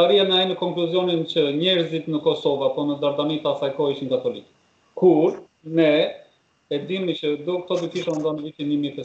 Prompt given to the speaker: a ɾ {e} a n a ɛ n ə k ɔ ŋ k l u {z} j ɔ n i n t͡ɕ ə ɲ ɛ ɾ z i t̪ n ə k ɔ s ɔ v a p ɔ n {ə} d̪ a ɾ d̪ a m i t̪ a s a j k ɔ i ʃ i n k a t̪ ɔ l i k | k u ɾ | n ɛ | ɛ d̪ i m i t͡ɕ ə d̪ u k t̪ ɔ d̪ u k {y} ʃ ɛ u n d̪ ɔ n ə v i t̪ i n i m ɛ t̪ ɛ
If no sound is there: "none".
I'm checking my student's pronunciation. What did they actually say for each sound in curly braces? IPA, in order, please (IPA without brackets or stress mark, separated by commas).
i, z, ə, i